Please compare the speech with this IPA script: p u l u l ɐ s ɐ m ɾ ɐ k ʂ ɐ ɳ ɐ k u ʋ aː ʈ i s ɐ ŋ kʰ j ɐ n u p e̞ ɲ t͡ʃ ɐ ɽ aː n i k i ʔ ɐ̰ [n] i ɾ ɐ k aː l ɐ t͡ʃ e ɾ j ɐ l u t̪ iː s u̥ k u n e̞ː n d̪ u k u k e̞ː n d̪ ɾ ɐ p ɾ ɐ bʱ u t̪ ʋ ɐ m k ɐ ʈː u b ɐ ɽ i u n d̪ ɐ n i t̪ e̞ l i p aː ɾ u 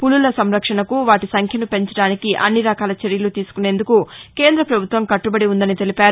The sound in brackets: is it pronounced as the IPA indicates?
no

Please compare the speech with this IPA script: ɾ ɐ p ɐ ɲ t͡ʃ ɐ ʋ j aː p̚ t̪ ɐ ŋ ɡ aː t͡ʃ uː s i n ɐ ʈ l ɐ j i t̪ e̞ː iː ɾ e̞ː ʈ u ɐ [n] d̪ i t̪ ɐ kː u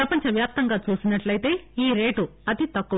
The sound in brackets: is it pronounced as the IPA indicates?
no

